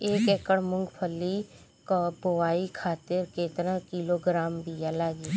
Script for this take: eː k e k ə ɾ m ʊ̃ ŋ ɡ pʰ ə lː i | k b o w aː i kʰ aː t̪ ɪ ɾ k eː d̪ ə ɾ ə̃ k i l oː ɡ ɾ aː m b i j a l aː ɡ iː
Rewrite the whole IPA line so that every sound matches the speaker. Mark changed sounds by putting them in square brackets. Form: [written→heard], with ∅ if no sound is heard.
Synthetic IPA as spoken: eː k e k ə [ɾ→ɽ] m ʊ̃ ŋ ɡ pʰ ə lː i | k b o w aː i kʰ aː t̪ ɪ ɾ k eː [d̪→t̪] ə ɾ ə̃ k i l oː ɡ ɾ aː m b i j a l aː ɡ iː